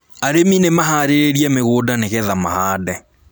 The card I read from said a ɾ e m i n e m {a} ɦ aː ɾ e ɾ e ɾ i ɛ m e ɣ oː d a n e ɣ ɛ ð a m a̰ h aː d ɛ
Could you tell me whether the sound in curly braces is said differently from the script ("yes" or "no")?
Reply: no